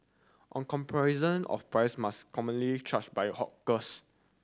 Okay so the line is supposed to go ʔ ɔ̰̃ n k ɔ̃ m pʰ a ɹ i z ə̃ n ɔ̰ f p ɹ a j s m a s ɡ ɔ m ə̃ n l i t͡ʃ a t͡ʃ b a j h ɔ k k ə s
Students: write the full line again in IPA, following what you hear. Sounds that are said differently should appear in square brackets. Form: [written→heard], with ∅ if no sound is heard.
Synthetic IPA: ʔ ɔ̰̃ n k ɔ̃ m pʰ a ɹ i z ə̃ n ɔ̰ f p ɹ a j s m a s [ɡ→k] ɔ m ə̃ n l i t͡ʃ a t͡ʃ b a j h ɔ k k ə s